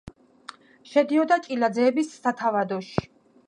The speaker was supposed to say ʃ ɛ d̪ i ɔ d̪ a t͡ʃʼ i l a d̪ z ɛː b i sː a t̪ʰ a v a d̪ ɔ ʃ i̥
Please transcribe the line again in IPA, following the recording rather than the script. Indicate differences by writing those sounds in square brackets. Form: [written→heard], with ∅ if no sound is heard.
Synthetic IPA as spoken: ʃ ɛ d̪ i ɔ d̪ a t͡ʃʼ i l a d̪ z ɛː b i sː a t̪ʰ a v a d̪ ɔ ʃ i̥